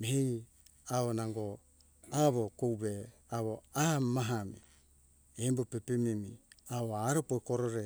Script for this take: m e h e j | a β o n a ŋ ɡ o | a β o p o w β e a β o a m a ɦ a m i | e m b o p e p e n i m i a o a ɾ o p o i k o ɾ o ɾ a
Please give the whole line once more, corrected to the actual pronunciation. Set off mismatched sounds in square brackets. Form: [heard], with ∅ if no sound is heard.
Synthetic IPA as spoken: m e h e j | a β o n a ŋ ɡ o | a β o [k] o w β e a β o a m a ɦ a m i | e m b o p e p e [m] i m i a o a ɾ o p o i k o ɾ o ɾ [e]